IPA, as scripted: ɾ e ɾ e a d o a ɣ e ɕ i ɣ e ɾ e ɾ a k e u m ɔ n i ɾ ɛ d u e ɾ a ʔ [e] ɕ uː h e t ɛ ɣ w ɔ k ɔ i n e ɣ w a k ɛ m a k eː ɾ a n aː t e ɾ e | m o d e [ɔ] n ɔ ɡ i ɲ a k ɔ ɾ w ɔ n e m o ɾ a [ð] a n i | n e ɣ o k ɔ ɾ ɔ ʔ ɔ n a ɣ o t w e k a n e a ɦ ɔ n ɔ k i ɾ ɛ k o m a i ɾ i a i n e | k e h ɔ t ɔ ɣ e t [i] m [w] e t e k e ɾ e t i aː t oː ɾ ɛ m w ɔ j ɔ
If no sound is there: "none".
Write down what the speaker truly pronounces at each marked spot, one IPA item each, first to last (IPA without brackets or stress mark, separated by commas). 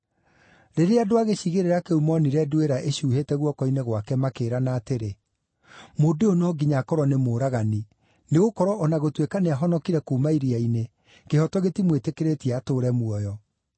e, o, ɣ, i, w